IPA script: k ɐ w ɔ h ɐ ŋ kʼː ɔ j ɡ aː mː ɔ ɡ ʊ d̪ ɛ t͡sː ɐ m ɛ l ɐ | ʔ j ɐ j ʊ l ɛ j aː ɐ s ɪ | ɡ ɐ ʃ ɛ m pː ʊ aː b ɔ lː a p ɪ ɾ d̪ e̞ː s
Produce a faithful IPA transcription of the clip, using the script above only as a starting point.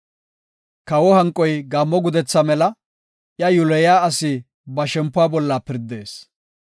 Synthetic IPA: k ɐ w ɔ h ɐ ŋ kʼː ɔ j ɡ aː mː ɔ ɡ ʊ d̪ ɛ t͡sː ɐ m ɛ l ɐ | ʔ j ɐ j ʊ l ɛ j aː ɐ s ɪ | b ɐ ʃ ɛ m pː ʊ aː b ɔ lː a p ɪ ɾ d̪ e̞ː s